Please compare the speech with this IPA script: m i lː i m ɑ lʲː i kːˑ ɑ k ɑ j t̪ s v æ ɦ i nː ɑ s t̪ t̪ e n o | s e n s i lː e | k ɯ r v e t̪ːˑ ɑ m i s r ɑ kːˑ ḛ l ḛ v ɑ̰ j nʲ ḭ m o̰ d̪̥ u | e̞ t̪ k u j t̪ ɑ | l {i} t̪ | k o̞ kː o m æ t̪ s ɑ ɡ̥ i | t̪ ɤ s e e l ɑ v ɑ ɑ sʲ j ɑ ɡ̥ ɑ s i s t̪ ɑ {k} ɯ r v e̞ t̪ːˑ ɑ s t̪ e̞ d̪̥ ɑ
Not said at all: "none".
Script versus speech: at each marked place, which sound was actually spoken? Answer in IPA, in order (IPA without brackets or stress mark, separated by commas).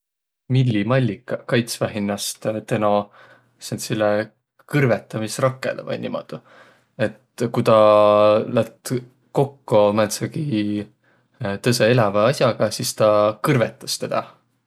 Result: æ, k